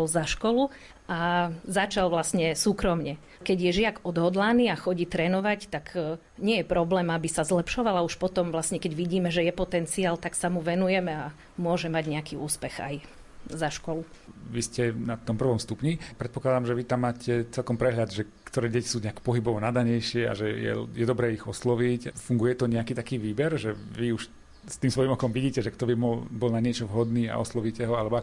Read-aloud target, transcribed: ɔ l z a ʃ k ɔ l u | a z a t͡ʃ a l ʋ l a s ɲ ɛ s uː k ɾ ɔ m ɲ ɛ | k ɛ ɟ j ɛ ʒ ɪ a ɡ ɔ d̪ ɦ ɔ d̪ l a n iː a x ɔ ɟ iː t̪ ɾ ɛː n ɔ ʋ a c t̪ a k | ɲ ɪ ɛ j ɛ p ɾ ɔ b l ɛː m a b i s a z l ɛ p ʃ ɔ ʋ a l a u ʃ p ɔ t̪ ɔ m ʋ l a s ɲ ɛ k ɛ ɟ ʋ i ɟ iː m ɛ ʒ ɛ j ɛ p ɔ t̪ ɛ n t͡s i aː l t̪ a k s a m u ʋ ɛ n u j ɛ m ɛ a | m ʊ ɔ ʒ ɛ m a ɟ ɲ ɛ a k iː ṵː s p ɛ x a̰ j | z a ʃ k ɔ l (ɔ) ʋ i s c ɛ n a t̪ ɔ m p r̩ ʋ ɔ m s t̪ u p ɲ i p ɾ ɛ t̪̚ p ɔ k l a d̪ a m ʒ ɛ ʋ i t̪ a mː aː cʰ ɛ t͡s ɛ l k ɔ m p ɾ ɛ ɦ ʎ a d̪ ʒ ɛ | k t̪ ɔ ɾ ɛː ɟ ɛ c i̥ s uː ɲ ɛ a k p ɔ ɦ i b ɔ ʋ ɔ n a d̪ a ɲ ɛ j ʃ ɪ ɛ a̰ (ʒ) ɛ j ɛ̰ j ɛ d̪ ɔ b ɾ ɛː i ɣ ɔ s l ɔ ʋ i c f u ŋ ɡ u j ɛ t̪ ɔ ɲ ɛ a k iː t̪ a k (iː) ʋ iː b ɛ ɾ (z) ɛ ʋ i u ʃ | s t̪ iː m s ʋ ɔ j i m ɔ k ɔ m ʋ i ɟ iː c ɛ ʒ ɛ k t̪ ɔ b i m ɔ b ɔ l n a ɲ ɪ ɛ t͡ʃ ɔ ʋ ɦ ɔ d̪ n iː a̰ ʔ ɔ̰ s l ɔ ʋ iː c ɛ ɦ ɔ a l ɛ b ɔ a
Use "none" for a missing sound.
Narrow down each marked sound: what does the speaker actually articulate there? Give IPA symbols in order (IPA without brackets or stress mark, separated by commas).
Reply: u, ʒ, iː, ʒ